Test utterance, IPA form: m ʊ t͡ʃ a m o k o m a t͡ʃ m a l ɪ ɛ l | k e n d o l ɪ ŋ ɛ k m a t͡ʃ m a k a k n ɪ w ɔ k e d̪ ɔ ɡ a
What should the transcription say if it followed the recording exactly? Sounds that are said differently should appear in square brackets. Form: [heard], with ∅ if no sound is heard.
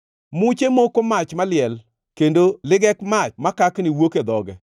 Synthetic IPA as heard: m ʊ t͡ʃ [e] m o k o m a t͡ʃ m a l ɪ ɛ l | k e n d o l ɪ [ɡ] ɛ k m a t͡ʃ m a k a k n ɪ w [o] k e d̪ ɔ ɡ [ɛ]